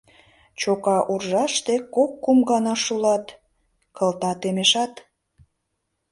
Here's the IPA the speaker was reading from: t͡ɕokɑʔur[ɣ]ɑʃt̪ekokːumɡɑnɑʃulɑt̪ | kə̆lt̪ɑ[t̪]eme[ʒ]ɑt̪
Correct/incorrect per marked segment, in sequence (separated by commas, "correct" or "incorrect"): incorrect, correct, incorrect